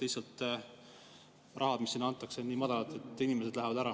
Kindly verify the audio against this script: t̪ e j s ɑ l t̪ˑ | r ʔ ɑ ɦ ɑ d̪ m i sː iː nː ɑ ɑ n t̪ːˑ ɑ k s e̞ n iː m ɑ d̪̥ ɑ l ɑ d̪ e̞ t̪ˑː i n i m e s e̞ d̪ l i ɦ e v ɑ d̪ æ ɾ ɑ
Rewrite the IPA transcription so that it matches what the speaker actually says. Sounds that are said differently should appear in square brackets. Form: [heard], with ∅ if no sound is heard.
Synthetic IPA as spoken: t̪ e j s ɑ l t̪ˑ | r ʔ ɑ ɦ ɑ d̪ m i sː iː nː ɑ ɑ n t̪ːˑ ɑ k s e̞ n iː m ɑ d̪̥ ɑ l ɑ [t̪] e̞ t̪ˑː i n i m e s e̞ d̪ l [æ] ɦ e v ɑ d̪ æ ɾ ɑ